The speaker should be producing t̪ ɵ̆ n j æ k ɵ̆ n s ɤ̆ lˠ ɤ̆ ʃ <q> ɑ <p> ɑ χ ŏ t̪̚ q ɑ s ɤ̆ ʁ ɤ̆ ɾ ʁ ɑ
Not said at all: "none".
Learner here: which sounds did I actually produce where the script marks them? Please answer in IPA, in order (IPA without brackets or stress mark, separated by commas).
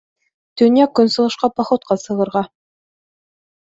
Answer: q, p